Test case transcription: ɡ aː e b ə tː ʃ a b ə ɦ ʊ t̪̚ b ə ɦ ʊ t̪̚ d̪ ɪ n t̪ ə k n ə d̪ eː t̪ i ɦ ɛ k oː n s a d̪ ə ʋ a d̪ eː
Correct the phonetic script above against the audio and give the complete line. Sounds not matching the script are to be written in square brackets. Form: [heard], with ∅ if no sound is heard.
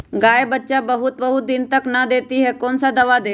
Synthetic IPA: ɡ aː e b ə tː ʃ a b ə ɦ ʊ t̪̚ b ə ɦ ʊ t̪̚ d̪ ɪ n t̪ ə k n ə d̪ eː t̪ i ɦ ɛ k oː n s a d̪ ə ʋ a d̪ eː